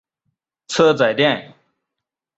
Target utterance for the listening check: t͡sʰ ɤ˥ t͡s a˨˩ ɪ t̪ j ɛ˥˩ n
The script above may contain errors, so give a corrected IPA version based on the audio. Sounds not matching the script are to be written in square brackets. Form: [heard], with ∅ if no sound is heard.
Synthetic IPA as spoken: t͡sʰ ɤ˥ t͡s a˨˩ ɪ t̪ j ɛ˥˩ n